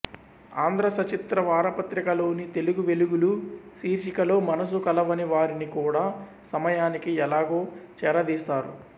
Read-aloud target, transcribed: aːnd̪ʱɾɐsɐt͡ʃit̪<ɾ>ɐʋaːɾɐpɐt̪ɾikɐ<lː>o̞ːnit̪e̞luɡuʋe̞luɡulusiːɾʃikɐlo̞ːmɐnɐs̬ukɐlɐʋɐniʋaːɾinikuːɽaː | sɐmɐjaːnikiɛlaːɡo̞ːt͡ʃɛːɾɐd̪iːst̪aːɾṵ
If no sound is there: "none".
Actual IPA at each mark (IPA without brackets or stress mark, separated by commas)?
ɾ, l